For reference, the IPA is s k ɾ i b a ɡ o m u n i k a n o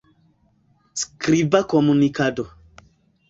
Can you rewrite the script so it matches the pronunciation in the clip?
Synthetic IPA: s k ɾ i b a k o m u n i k a d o